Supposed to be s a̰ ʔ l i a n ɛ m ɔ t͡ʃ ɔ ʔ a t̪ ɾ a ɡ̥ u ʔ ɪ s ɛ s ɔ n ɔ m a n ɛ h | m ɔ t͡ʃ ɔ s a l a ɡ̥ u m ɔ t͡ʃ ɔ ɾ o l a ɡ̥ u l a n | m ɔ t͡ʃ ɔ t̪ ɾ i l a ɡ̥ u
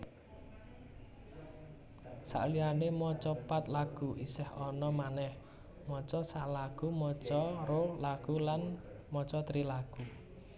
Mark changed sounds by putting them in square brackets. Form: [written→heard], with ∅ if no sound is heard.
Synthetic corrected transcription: s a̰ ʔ l i a n [ɛ→e] m ɔ t͡ʃ ɔ [ʔ→p] a t̪ [ɾ→l] a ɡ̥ u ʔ [ɪ→i] s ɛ [s→h] ɔ n ɔ m a n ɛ h | m ɔ t͡ʃ ɔ s a l a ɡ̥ u m ɔ t͡ʃ ɔ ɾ o l a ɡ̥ u l a n | m ɔ t͡ʃ ɔ t̪ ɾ i l a ɡ̥ u